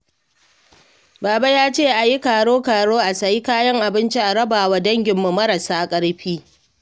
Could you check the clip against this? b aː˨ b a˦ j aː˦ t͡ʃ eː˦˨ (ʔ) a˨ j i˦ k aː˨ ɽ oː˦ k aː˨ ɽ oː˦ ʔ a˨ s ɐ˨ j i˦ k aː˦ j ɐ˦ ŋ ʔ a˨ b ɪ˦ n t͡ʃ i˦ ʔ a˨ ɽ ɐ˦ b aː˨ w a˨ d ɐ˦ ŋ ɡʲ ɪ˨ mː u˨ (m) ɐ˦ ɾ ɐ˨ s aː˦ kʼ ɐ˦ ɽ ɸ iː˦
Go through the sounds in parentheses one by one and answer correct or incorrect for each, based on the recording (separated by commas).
correct, correct